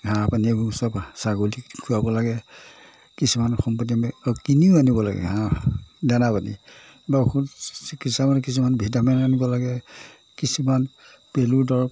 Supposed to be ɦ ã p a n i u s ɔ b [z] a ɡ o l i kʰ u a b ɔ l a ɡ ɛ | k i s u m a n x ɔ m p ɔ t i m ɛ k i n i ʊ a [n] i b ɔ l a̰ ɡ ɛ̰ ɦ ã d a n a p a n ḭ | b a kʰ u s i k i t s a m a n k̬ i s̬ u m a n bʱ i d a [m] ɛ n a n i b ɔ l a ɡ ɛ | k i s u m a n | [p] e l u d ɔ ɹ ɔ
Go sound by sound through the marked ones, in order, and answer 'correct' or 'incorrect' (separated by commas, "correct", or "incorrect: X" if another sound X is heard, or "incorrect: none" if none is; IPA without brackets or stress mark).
incorrect: s, correct, correct, correct